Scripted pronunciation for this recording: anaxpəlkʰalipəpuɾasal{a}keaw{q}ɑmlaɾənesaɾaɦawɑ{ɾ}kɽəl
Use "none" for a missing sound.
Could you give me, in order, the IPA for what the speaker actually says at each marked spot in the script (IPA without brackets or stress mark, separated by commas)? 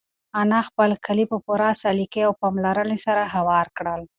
i, p, ɾ